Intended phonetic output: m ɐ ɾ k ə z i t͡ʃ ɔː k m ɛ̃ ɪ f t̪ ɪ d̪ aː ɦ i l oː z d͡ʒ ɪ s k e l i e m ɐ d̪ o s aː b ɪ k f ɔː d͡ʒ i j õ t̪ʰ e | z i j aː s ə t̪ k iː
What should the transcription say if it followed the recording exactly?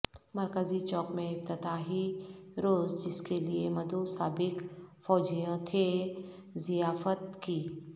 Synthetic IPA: m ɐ ɾ k ə z i t͡ʃ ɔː k m ẽ ɪ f t̪ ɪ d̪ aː ɦ i ɾ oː z d͡ʒ ɪ s k e l i e m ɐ d̪ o s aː b ɪ k f ɔː d͡ʒ i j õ t̪ʰ e | z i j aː f ə t̪ k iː